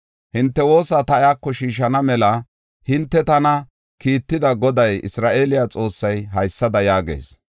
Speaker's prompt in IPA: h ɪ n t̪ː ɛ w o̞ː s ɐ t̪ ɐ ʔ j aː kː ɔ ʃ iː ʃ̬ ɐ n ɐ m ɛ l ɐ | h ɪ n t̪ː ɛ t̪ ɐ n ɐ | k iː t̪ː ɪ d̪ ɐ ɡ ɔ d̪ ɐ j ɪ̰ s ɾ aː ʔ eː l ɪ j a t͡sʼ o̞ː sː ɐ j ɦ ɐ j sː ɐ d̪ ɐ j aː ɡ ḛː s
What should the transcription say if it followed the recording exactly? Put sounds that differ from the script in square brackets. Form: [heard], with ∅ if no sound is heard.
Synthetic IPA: h ɪ n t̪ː ɛ w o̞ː s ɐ t̪ ɐ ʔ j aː kː ɔ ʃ iː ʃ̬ ɐ n ɐ m ɛ l ɐ | h ɪ n t̪ː ɛ t̪ ɐ n ɐ | k iː t̪ː ɪ d̪ ɐ ɡ ɔ d̪ ɐ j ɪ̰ s ɾ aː ʔ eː l ɪ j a t͡sʼ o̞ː sː ɐ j ɦ ɐ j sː ɐ d̪ ɐ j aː ɡ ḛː s

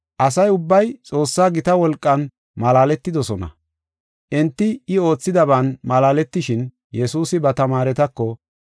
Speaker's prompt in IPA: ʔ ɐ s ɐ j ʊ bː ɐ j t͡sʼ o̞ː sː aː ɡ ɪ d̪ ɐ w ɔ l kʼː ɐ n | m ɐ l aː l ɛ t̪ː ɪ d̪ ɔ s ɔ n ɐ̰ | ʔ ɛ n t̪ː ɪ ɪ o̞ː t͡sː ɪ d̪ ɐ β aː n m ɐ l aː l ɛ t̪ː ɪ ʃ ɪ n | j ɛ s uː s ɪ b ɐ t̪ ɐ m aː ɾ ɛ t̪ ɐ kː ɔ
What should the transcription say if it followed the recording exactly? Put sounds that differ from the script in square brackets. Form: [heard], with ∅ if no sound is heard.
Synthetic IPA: ʔ ɐ s ɐ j ʊ bː ɐ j t͡sʼ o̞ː sː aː ɡ ɪ [t̪] ɐ w ɔ l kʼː ɐ n | m ɐ l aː l ɛ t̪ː ɪ d̪ ɔ s ɔ n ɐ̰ | ʔ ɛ n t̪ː ɪ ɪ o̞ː t͡sː ɪ d̪ ɐ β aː n m ɐ l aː l ɛ t̪ː ɪ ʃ ɪ n | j ɛ s uː s ɪ b ɐ t̪ ɐ m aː ɾ ɛ t̪ ɐ kː ɔ

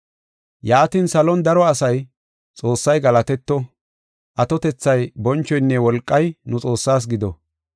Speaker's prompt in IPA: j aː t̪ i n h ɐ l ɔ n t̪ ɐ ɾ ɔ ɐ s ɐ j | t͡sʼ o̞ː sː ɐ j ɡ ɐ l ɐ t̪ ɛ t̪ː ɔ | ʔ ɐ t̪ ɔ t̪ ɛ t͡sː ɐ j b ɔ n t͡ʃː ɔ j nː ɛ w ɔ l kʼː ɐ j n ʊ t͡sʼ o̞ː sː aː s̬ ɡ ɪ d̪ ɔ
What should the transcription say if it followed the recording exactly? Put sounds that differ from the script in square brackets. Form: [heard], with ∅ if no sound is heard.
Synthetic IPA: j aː t̪ i n [s] ɐ l ɔ n [d̪] ɐ ɾ ɔ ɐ s ɐ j | t͡sʼ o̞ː sː ɐ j ɡ ɐ l ɐ t̪ ɛ t̪ː ɔ | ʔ ɐ t̪ ɔ t̪ ɛ t͡sː ɐ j b ɔ n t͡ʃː ɔ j nː ɛ w ɔ l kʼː ɐ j n ʊ t͡sʼ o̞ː sː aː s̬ ɡ ɪ d̪ ɔ

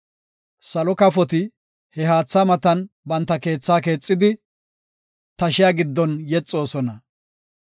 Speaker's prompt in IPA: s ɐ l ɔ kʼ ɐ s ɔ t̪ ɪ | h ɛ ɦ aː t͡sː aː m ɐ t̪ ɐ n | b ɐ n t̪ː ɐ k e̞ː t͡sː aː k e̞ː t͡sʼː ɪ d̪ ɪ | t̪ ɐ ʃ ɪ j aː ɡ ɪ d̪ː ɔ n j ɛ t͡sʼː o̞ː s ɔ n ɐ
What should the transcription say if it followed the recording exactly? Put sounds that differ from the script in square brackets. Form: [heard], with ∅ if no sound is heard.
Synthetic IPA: s ɐ l ɔ [k] ɐ [f] ɔ t̪ ɪ | h ɛ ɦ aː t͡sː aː m ɐ t̪ ɐ n | b ɐ n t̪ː ɐ k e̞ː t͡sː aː k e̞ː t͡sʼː ɪ d̪ ɪ | t̪ ɐ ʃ ɪ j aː ɡ ɪ d̪ː ɔ n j ɛ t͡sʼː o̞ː s ɔ n ɐ

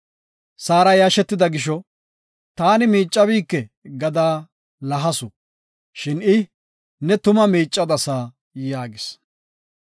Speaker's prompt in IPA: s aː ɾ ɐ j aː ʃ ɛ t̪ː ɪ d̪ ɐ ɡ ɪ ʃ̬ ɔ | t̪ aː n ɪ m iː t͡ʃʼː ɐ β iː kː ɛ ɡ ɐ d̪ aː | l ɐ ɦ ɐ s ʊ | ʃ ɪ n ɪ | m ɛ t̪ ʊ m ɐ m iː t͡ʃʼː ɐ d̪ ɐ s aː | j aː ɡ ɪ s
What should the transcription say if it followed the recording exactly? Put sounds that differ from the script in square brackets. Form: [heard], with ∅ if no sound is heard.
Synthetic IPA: s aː ɾ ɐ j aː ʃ ɛ t̪ː ɪ d̪ ɐ ɡ ɪ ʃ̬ ɔ | t̪ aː n ɪ m iː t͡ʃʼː ɐ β iː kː ɛ ɡ ɐ d̪ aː | l ɐ ɦ ɐ s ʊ | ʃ ɪ n ɪ | [n] ɛ t̪ ʊ m ɐ m iː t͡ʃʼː ɐ d̪ ɐ s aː | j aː ɡ ɪ s

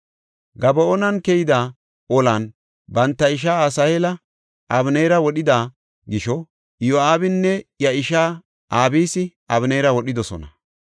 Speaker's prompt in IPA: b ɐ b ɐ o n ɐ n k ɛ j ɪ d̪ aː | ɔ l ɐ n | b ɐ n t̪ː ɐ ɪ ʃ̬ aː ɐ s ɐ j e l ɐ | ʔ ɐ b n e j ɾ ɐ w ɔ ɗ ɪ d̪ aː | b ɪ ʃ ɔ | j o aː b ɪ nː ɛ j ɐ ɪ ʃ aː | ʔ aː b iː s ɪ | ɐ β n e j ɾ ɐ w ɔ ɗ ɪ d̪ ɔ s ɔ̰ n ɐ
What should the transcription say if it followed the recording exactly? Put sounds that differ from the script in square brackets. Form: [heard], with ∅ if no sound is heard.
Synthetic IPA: [ɡ] ɐ b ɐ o n ɐ n k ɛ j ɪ d̪ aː | ɔ l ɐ n | b ɐ n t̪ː ɐ ɪ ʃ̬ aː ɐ s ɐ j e l ɐ | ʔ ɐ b n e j ɾ ɐ w ɔ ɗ ɪ d̪ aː | [ɡ] ɪ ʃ ɔ | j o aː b ɪ nː ɛ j ɐ ɪ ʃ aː | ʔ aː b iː s ɪ | ɐ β n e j ɾ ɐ w ɔ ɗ ɪ d̪ ɔ s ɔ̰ n ɐ

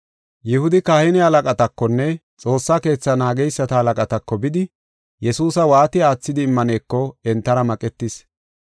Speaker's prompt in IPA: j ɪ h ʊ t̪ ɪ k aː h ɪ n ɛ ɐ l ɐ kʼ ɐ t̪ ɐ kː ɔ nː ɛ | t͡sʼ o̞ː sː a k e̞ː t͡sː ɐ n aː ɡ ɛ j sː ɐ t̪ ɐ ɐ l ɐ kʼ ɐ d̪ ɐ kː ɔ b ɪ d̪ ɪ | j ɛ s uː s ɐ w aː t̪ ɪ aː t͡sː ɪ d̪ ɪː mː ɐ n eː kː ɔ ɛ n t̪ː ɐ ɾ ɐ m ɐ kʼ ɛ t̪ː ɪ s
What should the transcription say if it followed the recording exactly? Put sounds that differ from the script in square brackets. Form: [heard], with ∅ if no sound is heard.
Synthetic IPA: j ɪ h ʊ [d̪] ɪ k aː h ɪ n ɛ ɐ l ɐ kʼ ɐ t̪ ɐ kː ɔ nː ɛ | t͡sʼ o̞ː sː a k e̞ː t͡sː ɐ n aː ɡ ɛ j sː ɐ t̪ ɐ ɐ l ɐ kʼ ɐ [t̪] ɐ kː ɔ b ɪ d̪ ɪ | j ɛ s uː s ɐ w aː t̪ ɪ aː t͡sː ɪ d̪ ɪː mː ɐ n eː kː ɔ ɛ n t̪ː ɐ ɾ ɐ m ɐ kʼ ɛ t̪ː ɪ s

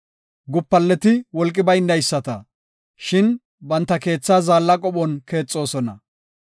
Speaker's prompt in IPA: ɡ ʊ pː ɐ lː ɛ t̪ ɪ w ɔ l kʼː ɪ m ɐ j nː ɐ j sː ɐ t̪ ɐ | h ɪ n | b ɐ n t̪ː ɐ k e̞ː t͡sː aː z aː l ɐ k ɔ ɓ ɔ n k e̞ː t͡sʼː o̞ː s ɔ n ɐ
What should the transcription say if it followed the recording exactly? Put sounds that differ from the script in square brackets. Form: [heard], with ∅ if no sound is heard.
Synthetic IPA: ɡ ʊ pː ɐ lː ɛ t̪ ɪ w ɔ l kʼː ɪ [b] ɐ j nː ɐ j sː ɐ t̪ ɐ | [ʃ] ɪ n | b ɐ n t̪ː ɐ k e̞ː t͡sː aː z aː [lː] ɐ [kʼ] ɔ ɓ ɔ n k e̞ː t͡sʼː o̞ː s ɔ n ɐ

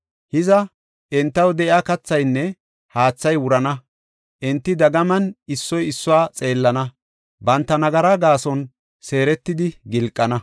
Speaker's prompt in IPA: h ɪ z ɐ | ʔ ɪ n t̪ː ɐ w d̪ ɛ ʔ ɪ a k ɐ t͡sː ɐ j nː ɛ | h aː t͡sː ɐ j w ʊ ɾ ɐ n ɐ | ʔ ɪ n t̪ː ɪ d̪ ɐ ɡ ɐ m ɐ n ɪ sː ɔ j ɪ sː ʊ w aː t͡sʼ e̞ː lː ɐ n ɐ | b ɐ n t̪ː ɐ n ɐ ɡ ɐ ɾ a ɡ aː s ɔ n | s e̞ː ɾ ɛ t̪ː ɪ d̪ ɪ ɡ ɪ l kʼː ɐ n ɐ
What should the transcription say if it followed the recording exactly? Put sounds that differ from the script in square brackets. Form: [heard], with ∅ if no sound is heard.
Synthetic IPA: h ɪ z ɐ | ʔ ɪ n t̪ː ɐ w d̪ ɛ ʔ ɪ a k ɐ t͡sː ɐ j nː ɛ | h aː t͡sː ɐ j w ʊ ɾ ɐ n ɐ | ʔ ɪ n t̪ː ɪ d̪ ɐ ɡ ɐ m ɐ n ɪ sː ɔ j ɪ sː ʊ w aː t͡sʼ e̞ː lː ɐ n ɐ | b ɐ n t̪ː ɐ n ɐ ɡ ɐ ɾ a ɡ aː s ɔ n | s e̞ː ɾ ɛ t̪ː ɪ d̪ ɪ ɡ ɪ l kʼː ɐ n ɐ

